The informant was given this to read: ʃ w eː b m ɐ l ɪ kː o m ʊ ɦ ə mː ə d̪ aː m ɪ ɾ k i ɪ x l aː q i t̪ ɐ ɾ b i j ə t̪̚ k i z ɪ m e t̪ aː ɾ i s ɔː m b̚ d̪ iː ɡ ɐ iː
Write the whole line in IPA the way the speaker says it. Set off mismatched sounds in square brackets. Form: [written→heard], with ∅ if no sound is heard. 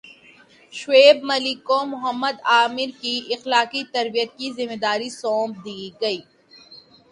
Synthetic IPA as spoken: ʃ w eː b m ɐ l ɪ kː o m ʊ ɦ ə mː ə d̪ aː m ɪ ɾ k i ɪ x l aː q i t̪ ɐ ɾ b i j ə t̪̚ k i z ɪ m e [t̪→d̪] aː ɾ i s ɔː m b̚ d̪ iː ɡ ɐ iː